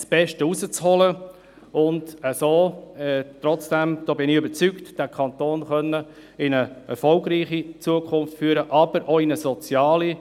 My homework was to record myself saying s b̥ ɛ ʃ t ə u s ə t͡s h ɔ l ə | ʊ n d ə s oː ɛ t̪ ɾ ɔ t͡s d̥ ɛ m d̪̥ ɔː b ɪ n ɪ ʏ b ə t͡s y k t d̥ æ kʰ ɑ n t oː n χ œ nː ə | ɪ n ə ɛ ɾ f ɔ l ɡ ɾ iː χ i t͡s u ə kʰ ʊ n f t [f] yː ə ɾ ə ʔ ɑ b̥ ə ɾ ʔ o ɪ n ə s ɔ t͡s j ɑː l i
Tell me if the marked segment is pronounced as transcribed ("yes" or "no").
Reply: yes